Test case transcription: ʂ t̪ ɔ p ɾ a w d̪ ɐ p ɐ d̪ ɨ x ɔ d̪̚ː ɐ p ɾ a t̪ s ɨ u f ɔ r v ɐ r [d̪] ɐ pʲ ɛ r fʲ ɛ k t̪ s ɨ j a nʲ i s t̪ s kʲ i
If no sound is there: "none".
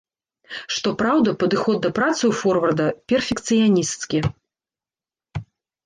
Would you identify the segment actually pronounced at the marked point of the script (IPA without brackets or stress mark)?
d̪